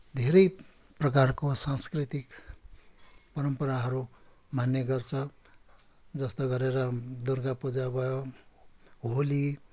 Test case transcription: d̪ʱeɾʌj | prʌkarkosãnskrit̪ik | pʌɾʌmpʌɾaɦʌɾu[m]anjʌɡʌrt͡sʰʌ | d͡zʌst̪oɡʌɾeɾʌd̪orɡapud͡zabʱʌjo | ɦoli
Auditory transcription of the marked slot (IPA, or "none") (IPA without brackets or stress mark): m